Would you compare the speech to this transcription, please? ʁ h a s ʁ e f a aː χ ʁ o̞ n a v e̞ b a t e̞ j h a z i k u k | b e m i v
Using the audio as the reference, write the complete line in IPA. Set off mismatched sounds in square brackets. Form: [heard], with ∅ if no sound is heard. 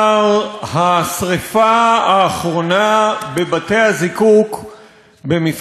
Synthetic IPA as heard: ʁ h a s ʁ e f a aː χ ʁ o̞ n a [b] e̞ b a t e̞ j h a z i k u k | b e m i [f]